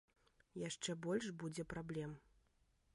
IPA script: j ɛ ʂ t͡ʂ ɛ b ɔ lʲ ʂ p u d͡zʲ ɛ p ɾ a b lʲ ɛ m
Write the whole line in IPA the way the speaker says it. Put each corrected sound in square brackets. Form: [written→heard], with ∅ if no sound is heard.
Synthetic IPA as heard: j [ɛ→a] ʂ t͡ʂ ɛ b ɔ lʲ ʂ [p→b] u d͡zʲ ɛ p ɾ a b lʲ ɛ m